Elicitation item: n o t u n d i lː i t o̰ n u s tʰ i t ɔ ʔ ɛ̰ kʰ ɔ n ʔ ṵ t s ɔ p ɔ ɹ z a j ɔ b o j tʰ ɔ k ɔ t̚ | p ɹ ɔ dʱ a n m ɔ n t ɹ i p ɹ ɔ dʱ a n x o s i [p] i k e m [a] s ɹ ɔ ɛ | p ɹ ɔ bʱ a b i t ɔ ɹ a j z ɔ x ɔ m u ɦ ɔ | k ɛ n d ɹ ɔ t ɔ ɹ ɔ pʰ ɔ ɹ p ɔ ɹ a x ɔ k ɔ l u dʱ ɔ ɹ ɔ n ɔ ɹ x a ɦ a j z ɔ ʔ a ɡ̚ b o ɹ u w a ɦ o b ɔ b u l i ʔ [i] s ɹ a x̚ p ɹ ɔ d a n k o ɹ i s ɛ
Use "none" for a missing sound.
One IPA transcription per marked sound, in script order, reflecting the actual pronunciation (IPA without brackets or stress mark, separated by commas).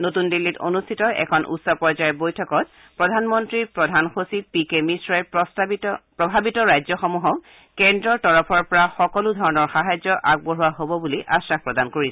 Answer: p, i, a